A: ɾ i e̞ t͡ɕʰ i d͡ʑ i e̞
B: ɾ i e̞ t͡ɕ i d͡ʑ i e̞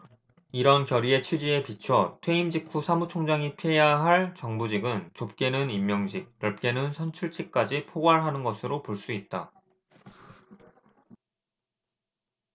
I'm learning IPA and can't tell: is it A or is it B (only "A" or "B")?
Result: A